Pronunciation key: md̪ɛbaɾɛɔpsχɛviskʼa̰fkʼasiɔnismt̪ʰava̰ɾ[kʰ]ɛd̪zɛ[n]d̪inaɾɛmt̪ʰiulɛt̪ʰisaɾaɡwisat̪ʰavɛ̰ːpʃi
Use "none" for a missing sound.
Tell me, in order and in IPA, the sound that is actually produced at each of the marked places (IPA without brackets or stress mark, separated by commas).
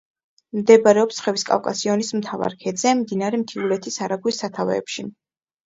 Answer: kʰ, m